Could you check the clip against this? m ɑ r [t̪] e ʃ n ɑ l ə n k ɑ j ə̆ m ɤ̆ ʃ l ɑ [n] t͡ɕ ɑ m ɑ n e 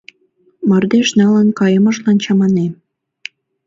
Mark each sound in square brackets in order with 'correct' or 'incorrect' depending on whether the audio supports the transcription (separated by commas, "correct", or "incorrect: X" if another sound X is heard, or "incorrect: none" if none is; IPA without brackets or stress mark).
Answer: incorrect: d̪, correct